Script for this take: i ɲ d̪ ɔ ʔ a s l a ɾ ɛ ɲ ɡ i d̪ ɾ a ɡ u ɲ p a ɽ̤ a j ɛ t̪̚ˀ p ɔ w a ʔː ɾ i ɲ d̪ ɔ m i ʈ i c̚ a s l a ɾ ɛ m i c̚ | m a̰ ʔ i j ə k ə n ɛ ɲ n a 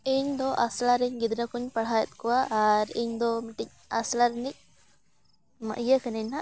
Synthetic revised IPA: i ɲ d̪ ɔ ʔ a s l a ɾ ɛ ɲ ɡ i d̪ ɾ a k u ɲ p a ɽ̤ a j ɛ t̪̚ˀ k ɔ w a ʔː ɾ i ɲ d̪ ɔ m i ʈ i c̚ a s l a ɾ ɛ n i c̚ | m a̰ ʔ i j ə k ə n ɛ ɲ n a